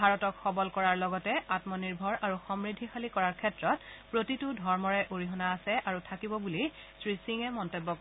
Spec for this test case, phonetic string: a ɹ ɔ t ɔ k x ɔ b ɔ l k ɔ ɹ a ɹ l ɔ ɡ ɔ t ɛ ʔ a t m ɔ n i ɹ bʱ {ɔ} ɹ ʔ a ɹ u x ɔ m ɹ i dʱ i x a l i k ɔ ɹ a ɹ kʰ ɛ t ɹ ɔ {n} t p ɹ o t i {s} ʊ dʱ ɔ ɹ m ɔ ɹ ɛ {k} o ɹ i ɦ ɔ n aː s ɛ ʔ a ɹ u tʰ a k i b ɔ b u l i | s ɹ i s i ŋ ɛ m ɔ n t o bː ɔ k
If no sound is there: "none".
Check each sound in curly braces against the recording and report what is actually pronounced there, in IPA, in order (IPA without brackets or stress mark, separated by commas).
ɔ, none, t, ʔ